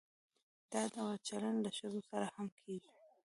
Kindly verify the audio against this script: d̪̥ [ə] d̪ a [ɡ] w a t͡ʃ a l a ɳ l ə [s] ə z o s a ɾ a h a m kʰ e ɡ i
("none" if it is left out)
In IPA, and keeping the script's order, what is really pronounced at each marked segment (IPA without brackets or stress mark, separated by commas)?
ɑ, none, ʃ